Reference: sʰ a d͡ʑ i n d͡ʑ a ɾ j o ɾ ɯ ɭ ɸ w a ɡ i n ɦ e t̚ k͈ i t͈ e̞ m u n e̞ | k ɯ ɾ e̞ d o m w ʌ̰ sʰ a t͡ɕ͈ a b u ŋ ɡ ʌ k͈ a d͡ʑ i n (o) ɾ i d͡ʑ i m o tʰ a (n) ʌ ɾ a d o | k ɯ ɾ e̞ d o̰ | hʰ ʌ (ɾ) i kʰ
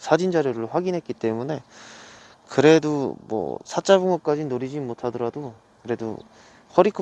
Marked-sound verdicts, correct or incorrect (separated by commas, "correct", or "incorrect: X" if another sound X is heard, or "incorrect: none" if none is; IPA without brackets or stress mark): correct, incorrect: d, correct